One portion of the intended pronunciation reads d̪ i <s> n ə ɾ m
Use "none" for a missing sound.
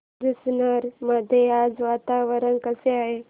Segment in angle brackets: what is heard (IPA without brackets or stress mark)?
s